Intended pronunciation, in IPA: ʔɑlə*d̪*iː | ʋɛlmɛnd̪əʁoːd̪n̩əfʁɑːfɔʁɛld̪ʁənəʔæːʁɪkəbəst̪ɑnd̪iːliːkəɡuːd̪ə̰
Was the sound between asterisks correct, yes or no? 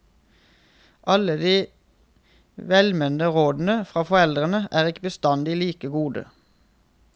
yes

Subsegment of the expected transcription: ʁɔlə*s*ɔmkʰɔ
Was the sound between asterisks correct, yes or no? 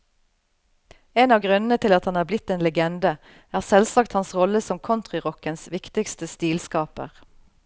yes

